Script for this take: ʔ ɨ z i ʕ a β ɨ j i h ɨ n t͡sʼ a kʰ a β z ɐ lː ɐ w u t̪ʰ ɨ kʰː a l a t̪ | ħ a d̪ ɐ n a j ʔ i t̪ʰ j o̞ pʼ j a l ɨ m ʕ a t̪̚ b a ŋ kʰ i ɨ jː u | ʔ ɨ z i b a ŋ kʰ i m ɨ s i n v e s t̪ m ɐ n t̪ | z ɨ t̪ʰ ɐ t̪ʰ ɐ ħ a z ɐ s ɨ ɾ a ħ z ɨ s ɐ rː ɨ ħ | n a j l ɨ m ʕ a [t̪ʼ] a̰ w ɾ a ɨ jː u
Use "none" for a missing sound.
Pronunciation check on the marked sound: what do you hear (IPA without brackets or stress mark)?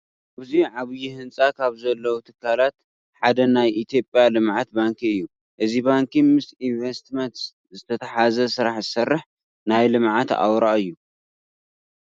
t̪